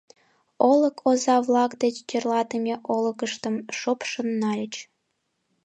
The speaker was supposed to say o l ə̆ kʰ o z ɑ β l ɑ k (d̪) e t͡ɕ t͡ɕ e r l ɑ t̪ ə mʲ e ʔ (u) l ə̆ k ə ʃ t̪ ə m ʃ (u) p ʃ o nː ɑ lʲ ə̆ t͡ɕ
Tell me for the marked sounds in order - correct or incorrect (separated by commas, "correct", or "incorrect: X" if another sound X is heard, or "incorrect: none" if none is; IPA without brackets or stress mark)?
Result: correct, incorrect: o, incorrect: o